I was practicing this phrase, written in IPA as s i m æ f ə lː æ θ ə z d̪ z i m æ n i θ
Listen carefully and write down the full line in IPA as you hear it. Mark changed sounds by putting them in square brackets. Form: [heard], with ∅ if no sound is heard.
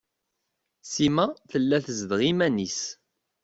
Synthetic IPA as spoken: s i m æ [θ] ə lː æ θ ə z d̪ [ʁ] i m æ n i [s]